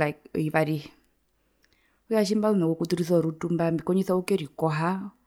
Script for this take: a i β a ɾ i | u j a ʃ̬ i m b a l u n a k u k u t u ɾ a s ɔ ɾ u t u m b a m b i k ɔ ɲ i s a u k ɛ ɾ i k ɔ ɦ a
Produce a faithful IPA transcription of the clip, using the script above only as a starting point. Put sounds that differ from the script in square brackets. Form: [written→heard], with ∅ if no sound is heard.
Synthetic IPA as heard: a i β a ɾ i | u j a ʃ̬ i m b a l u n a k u k u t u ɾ [a→i] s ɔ ɾ u t u m b a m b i k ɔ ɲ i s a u k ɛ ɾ i k ɔ ɦ a